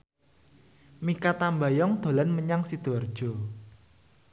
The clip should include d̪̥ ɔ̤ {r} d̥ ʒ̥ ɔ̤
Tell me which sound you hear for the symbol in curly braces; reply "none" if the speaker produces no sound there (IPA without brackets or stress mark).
r